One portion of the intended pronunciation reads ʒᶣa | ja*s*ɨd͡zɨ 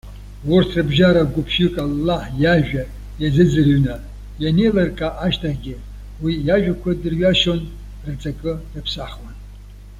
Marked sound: incorrect: z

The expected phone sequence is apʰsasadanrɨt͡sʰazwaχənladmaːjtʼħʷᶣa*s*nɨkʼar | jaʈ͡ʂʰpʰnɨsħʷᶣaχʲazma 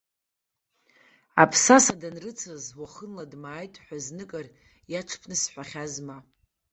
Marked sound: incorrect: z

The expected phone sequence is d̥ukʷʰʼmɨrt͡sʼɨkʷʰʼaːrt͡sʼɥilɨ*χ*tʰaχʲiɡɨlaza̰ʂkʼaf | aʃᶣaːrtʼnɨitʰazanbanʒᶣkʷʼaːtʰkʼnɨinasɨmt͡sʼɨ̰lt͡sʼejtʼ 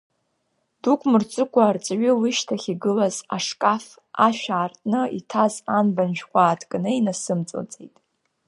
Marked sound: incorrect: ʃ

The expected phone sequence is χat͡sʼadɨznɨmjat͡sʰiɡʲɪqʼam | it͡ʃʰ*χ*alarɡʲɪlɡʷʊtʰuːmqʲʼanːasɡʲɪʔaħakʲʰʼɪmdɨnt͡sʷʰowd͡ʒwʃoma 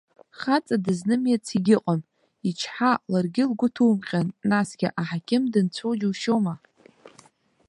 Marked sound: incorrect: ħ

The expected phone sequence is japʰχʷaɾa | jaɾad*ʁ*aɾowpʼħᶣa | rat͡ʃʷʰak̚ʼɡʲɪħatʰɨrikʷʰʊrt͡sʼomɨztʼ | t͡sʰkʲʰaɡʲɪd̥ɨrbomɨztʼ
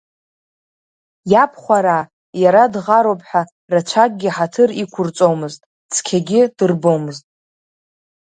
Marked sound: correct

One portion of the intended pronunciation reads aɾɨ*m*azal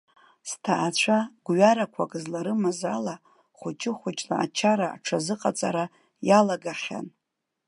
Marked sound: correct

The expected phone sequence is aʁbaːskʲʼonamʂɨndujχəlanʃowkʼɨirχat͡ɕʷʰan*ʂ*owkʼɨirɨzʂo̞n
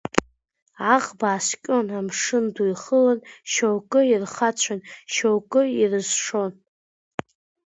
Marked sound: incorrect: ʃ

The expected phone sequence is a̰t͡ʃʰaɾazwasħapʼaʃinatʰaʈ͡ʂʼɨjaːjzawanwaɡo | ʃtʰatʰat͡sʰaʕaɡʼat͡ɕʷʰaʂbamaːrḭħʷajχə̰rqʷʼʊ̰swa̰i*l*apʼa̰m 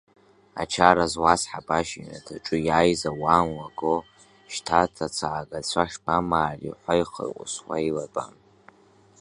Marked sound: correct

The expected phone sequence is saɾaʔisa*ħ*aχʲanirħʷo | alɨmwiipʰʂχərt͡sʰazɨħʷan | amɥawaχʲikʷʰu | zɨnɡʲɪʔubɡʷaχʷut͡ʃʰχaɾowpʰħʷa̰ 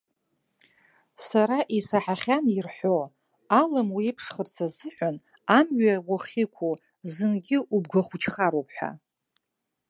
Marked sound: correct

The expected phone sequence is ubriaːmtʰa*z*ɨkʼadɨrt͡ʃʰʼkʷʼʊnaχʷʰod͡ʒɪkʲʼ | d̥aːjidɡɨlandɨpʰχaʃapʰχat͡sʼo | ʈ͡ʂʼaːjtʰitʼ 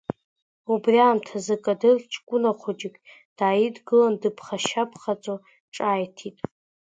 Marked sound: correct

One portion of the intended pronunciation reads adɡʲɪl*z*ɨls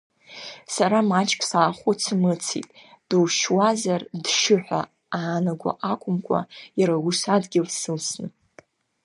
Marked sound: incorrect: s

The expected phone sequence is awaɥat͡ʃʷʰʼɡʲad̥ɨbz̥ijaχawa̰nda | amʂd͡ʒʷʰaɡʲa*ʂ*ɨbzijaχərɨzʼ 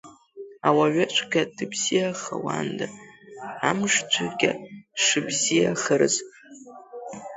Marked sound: correct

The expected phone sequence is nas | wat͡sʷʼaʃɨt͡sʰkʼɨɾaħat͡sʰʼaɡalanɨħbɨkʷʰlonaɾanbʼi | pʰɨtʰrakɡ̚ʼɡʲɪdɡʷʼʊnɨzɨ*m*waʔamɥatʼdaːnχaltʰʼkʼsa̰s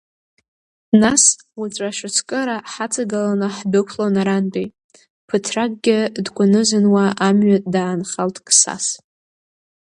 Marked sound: incorrect: n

